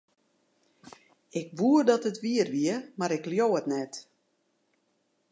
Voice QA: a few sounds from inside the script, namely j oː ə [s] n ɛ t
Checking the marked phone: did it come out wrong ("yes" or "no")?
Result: yes